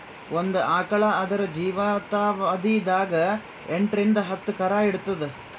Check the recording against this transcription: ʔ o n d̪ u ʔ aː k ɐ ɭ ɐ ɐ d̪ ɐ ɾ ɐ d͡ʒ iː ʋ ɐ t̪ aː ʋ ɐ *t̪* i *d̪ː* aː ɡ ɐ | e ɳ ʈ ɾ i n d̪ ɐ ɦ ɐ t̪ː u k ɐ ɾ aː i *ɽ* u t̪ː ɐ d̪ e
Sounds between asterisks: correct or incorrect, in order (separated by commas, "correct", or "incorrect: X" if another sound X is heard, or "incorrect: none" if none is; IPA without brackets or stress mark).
incorrect: d̪, incorrect: d̪, correct